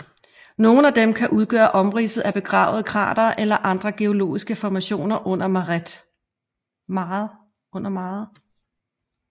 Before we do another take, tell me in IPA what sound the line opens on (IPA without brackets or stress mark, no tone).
n